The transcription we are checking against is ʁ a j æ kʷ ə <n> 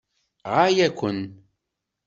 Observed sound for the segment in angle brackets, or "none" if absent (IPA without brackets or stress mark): n